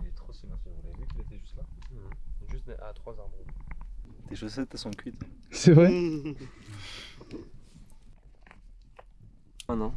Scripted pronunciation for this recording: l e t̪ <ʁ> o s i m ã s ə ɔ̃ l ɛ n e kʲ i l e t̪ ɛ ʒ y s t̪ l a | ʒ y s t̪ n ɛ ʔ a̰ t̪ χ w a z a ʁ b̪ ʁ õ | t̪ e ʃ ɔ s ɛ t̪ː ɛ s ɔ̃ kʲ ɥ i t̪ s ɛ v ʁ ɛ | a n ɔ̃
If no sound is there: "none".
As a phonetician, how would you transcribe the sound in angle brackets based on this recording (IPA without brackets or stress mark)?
χ